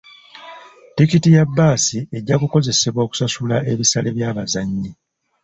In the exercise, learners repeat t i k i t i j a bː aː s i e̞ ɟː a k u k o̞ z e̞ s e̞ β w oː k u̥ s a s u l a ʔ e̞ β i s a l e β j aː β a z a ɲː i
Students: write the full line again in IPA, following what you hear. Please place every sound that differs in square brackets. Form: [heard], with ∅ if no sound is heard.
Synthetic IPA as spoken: t i k i t i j a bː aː s i e̞ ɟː a k u k o̞ z e̞ s e̞ β w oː k u̥ s a s u l a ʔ e̞ β i s a l e β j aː β a z a ɲː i